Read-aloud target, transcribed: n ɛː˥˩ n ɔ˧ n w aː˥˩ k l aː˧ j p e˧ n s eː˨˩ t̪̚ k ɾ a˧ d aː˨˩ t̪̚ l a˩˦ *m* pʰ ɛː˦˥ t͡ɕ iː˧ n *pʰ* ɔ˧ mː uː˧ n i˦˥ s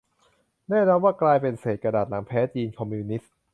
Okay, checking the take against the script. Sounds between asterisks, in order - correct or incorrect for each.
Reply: incorrect, incorrect

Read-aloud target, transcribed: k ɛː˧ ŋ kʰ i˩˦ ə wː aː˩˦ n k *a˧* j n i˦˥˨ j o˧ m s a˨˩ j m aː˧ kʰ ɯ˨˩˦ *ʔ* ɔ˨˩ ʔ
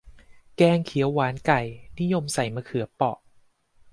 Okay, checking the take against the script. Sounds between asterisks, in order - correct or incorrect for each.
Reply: incorrect, incorrect

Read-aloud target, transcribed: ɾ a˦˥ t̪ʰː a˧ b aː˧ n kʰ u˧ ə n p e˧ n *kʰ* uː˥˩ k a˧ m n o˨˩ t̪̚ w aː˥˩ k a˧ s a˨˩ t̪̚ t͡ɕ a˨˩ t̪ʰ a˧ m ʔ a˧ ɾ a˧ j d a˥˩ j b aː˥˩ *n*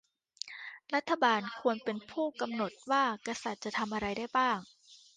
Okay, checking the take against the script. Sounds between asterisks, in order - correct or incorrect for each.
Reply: incorrect, incorrect

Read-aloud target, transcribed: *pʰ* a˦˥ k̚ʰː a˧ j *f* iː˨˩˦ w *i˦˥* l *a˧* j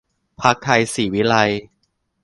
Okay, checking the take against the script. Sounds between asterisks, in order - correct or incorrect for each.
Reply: correct, incorrect, correct, correct

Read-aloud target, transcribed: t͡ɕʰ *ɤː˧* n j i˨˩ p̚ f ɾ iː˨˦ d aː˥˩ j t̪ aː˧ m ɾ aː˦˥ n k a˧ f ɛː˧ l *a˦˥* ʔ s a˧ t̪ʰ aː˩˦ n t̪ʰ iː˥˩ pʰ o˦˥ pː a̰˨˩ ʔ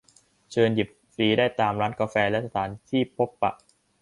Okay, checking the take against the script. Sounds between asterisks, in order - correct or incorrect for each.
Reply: correct, incorrect

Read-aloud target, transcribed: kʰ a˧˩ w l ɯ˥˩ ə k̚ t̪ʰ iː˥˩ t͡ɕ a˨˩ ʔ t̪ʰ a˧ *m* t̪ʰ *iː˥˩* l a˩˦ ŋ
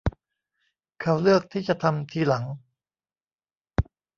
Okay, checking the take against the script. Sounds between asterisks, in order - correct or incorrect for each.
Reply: correct, incorrect

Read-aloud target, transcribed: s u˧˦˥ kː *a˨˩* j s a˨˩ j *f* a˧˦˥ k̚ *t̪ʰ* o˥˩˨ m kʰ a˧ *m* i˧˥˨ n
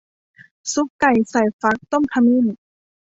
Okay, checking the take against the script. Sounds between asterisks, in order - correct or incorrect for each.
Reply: correct, correct, incorrect, correct

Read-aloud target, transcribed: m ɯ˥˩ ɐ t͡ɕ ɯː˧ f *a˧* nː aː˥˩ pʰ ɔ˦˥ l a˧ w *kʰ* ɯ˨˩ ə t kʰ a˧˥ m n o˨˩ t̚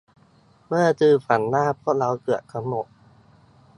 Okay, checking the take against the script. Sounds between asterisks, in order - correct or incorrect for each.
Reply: incorrect, incorrect

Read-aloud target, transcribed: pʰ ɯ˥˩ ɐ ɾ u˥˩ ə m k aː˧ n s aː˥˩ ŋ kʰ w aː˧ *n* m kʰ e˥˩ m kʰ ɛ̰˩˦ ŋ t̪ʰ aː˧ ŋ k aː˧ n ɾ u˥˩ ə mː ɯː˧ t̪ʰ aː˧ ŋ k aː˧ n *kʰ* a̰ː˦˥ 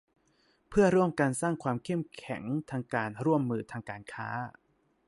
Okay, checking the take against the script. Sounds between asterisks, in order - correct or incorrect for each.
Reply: incorrect, correct

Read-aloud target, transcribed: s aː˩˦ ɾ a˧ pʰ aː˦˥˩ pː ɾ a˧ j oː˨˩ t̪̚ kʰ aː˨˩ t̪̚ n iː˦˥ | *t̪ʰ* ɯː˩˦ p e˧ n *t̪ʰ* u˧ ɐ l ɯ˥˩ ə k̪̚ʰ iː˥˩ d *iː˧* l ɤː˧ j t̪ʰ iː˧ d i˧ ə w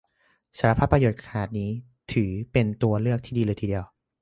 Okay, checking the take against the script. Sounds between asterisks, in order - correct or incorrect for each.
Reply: correct, incorrect, correct

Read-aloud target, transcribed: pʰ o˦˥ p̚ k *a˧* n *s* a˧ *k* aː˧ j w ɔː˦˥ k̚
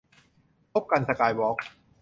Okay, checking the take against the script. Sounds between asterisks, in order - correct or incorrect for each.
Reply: correct, correct, correct

